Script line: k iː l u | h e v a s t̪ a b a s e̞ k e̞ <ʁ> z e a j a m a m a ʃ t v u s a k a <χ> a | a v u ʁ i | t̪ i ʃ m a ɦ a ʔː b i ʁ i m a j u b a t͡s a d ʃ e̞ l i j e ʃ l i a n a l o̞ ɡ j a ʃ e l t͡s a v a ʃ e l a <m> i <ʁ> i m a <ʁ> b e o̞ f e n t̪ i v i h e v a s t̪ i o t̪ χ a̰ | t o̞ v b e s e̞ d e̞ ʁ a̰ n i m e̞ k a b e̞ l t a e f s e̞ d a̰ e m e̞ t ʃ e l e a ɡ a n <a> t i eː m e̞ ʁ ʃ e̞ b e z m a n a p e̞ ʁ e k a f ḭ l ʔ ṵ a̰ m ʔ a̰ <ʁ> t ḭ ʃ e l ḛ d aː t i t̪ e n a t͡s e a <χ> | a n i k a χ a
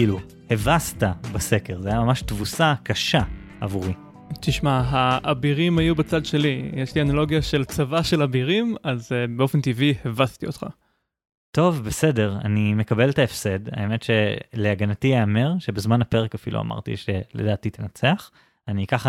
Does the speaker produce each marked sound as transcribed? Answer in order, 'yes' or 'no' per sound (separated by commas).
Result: yes, no, no, yes, no, yes, yes, yes